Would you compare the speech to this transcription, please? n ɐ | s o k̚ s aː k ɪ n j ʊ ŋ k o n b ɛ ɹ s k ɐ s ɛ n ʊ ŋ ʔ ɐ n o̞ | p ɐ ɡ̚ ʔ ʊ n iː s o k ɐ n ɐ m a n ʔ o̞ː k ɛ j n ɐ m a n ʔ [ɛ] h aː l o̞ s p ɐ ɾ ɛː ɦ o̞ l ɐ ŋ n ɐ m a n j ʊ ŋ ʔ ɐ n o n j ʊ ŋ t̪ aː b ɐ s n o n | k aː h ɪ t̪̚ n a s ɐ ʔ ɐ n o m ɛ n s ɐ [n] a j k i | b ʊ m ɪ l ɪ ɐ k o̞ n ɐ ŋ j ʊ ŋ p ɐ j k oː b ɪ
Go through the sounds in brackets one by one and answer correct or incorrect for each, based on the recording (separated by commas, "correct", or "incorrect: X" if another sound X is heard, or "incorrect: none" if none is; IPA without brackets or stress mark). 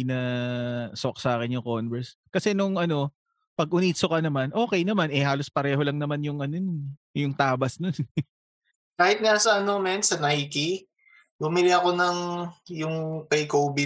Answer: correct, correct